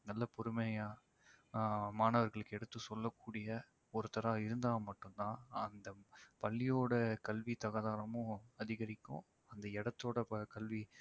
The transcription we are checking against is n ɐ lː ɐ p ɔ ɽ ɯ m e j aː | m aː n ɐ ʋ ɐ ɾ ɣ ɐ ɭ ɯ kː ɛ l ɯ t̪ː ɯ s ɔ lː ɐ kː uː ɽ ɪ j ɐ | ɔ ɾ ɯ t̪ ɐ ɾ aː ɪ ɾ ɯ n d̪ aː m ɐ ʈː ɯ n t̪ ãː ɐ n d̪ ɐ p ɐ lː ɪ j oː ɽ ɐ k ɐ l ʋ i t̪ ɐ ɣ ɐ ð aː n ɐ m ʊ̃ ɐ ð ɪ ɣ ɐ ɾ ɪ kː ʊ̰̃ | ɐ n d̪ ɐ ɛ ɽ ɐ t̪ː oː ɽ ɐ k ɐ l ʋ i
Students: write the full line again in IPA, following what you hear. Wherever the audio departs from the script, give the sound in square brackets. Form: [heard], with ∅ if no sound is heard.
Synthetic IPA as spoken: n ɐ lː ɐ p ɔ [ɾ] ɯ m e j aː | m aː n ɐ ʋ ɐ ɾ ɣ ɐ ɭ ɯ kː ɛ [ɽ] ɯ t̪ː ɯ s ɔ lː ɐ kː uː ɽ ɪ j ɐ | ɔ ɾ ɯ t̪ ɐ ɾ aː ɪ ɾ ɯ n d̪ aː m ɐ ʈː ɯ n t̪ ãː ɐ n d̪ ɐ p ɐ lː ɪ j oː ɽ ɐ k ɐ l ʋ i t̪ ɐ ɣ ɐ ð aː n ɐ m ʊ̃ ɐ ð ɪ ɣ ɐ ɾ ɪ kː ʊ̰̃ | ɐ n d̪ ɐ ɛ ɽ ɐ t̪ː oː ɽ ɐ k ɐ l ʋ i